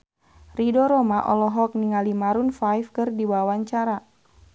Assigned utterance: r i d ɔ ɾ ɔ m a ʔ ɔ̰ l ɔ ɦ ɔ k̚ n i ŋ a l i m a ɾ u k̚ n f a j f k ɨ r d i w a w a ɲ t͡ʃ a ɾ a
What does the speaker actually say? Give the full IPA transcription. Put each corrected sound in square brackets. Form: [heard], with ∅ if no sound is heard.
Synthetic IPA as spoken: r i d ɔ ɾ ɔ m a ʔ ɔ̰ l ɔ ɦ ɔ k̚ n i ŋ a l i m a ɾ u [∅] n f a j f k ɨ r d i w a w a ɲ t͡ʃ a ɾ a